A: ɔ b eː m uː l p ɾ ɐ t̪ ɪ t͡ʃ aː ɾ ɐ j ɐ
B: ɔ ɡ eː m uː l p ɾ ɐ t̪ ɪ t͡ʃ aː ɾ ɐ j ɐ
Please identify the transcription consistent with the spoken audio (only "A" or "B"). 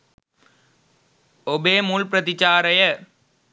A